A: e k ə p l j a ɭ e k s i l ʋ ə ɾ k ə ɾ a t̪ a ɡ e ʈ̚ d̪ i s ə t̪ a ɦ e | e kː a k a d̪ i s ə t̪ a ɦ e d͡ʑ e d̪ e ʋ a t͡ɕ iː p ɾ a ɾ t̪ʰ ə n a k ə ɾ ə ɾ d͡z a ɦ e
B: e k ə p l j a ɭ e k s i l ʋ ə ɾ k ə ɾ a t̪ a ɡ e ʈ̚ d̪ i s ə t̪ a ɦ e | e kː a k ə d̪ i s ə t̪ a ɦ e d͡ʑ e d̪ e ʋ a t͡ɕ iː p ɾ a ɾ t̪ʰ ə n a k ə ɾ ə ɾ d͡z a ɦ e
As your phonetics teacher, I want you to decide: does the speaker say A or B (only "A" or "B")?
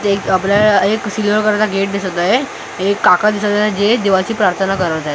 A